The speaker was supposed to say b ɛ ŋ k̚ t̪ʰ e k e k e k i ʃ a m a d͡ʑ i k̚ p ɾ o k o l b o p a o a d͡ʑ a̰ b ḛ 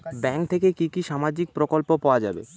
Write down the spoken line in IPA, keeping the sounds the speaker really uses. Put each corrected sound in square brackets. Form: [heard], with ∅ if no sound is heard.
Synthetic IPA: b ɛ ŋ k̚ t̪ʰ e k e k [i] k i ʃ a m a d͡ʑ i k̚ p ɾ o k o l [p] o p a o a d͡ʑ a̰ b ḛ